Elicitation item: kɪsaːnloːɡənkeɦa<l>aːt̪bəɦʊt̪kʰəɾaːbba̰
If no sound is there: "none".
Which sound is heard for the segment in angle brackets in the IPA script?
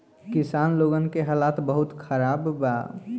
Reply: l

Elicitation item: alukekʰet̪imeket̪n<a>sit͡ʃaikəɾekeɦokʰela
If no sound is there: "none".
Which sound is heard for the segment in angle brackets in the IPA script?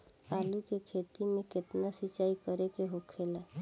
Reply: a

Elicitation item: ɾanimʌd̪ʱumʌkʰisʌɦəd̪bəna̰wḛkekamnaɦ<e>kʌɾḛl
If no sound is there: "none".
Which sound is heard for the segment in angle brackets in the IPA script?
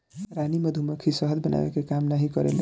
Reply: i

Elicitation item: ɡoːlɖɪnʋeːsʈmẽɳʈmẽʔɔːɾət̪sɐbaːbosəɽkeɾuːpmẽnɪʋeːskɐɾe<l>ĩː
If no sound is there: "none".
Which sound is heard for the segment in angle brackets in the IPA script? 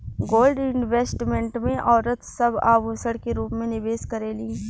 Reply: l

